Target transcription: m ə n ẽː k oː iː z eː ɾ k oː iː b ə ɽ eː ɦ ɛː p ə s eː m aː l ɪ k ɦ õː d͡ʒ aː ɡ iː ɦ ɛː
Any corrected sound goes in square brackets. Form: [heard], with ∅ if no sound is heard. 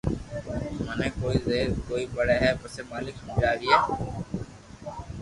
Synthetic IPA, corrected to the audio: m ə n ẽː k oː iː z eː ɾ k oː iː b ə ɽ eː ɦ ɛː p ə s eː m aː l ɪ k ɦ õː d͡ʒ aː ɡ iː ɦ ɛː